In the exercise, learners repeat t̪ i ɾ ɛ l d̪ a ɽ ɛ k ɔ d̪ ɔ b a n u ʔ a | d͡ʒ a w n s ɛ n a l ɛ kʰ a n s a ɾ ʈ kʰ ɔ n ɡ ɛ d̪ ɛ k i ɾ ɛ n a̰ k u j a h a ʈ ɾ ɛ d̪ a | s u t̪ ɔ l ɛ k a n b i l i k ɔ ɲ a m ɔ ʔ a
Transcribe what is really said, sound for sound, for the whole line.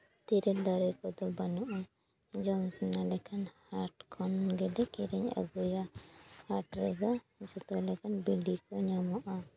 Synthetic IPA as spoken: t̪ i ɾ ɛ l d̪ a ɾ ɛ k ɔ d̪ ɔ b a n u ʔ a | d͡ʒ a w n s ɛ n a l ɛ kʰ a n h a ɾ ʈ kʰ ɔ n ɡ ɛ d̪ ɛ k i ɾ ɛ ɲ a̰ ɡ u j a h a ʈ ɾ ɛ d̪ a | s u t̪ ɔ l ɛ k a n b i l i k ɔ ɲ a m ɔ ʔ a